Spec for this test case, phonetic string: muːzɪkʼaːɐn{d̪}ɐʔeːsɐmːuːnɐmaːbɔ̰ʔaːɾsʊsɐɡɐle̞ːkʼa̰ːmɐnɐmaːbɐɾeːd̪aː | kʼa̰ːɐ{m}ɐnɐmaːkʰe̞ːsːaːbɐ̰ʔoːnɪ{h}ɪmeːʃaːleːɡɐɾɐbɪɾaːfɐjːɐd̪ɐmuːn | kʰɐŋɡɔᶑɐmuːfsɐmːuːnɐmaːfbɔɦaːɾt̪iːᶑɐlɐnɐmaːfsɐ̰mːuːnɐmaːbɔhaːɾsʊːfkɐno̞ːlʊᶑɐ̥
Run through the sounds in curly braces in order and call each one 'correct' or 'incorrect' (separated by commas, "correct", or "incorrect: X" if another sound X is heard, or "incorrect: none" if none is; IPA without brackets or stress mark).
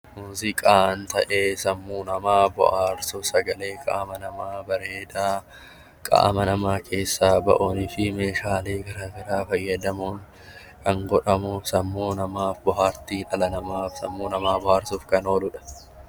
incorrect: t̪, correct, incorrect: f